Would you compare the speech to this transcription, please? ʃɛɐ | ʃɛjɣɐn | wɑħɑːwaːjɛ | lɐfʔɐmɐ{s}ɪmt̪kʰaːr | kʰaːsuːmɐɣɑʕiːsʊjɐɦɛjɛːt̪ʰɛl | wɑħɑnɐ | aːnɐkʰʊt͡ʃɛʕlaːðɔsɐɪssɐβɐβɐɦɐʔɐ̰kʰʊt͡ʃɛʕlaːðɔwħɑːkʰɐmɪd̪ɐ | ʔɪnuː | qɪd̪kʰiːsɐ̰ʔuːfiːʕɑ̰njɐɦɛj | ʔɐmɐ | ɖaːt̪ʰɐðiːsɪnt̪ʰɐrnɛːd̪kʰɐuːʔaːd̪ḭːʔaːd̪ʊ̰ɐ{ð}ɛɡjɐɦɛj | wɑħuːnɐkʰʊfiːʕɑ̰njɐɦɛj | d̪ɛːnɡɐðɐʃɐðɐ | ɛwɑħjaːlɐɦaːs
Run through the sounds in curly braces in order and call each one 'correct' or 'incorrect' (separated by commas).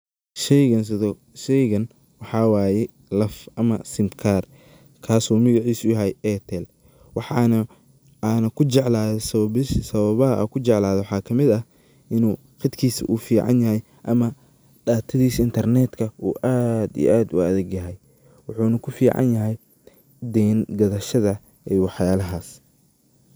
correct, correct